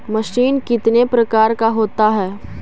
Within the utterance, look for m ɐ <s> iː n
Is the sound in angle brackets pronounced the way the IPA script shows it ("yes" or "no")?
no